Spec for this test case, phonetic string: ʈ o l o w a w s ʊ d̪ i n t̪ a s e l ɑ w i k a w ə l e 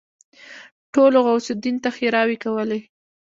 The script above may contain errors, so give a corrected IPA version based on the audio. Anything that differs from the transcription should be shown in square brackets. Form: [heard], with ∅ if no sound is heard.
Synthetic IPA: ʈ o l o [ɣ] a w s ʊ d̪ i n t̪ a [x] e [ɾ] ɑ w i k a w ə l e